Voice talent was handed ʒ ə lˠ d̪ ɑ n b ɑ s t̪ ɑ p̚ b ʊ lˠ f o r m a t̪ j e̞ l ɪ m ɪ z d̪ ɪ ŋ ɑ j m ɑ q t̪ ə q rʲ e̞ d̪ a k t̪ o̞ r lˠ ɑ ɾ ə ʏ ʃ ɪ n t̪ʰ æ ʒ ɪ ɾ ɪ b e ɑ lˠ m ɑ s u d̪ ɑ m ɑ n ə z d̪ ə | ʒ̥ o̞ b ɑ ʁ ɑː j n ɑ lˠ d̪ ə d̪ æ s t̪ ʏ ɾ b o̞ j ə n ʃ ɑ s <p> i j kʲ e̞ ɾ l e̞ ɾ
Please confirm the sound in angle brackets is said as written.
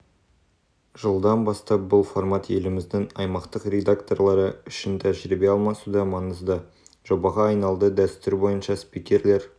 yes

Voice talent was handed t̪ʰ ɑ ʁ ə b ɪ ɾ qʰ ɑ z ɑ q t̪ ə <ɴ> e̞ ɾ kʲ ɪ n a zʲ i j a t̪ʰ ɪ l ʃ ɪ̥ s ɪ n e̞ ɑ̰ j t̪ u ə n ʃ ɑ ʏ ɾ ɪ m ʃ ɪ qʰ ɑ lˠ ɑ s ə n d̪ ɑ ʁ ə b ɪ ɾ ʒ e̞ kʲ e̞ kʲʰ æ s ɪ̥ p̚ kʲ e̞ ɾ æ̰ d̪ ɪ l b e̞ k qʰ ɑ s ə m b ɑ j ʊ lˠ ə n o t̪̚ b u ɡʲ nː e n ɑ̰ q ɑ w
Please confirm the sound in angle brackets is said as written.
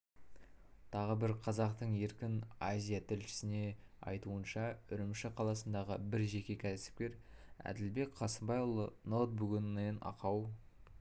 yes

